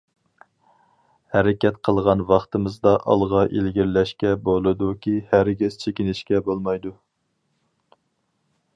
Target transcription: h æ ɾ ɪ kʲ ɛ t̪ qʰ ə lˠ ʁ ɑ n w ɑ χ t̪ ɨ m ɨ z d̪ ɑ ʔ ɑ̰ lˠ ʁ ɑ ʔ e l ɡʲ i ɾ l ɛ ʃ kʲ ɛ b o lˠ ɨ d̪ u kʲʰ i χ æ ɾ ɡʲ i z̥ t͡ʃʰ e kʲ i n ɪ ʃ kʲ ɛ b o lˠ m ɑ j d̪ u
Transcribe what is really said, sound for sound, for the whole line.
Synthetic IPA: h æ ɾ ɪ kʲ ɛ t̪ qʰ ə lˠ ʁ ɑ n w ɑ χ t̪ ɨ m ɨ z d̪ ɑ ʔ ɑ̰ lˠ ʁ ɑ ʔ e l ɡʲ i ɾ l ɛ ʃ kʲ ɛ b o lˠ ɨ d̪ u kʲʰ i h æ ɾ ɡʲ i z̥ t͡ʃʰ e kʲ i n ɪ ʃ kʲ ɛ b o lˠ m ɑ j d̪ u